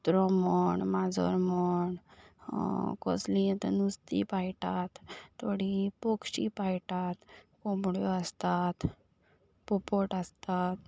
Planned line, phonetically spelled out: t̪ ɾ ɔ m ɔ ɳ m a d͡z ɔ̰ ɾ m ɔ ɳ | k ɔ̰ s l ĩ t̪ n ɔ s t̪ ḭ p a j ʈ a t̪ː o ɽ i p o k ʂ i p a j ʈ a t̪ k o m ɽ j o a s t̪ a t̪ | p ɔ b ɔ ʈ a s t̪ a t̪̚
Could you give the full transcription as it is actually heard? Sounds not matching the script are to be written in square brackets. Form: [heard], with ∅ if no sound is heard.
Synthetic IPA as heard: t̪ ɾ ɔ m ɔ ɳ m a d͡z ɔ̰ ɾ m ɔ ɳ | k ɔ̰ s l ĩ t̪ n [u] s t̪ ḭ p a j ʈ a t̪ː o ɽ i p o k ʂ i p a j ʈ a t̪ k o m ɽ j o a s t̪ a t̪ | p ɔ [p] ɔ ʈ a s t̪ a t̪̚